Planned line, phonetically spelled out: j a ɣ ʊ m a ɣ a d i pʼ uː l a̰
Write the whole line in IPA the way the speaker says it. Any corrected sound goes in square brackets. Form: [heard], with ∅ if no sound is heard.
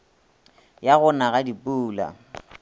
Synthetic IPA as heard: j a ɣ ʊ [n] a ɣ a d i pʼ uː l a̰